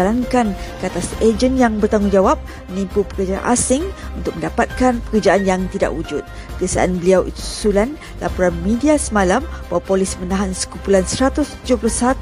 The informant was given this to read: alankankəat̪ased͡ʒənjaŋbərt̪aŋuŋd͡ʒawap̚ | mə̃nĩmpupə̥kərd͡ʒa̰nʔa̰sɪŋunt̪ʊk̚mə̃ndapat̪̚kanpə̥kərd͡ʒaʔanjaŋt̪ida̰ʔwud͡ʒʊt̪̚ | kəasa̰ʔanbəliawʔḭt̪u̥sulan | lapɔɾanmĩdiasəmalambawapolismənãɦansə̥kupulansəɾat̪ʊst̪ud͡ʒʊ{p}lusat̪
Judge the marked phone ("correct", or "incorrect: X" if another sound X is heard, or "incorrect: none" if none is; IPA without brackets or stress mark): correct